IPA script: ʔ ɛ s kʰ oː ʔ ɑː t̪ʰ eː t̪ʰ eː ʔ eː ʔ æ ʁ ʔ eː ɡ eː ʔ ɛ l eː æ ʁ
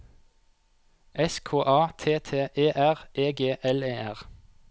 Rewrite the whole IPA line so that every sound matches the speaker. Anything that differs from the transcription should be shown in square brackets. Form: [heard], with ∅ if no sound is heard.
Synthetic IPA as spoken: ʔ ɛ s kʰ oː ʔ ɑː t̪ʰ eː t̪ʰ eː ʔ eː ʔ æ ʁ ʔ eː ɡ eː ʔ ɛ l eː æ ʁ